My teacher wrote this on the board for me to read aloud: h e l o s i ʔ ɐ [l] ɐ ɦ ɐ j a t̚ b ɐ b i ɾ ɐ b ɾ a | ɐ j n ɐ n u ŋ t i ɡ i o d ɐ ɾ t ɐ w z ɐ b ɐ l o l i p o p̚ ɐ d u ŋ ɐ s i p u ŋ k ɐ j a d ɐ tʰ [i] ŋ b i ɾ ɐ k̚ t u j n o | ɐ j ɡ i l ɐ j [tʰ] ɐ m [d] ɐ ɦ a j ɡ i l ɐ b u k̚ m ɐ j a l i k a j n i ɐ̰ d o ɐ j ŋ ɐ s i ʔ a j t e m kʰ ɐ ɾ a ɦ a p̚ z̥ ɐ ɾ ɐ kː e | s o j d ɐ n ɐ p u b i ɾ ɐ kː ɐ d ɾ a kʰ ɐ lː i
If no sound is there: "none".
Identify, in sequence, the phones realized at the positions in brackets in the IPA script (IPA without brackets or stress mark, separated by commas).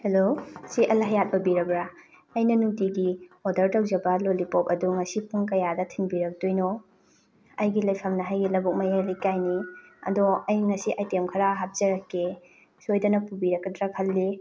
l, i, pʰ, n